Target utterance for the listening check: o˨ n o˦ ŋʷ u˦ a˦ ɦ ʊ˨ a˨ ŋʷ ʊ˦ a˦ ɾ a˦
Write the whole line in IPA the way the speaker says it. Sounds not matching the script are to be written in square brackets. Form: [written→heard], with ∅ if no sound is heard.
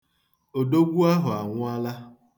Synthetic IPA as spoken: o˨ [n→d] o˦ [ŋʷ→ɡʷ] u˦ a˦ ɦ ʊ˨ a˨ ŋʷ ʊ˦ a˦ [ɾ→l] a˦